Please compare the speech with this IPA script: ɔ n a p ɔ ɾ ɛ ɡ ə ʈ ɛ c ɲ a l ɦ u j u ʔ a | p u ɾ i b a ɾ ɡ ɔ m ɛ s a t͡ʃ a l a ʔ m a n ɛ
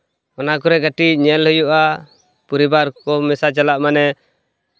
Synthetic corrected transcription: ɔ n a k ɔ ɾ ɛ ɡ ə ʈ i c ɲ ɛ l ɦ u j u ʔ a | p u ɾ i b a ɾ k ɔ m ɛ s a t͡ʃ a l a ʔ m a n ɛ